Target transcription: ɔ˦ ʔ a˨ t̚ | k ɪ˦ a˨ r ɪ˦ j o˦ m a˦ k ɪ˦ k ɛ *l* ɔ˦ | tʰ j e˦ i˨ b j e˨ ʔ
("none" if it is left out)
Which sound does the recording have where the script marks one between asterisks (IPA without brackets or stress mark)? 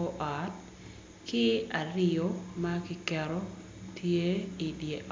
ɾ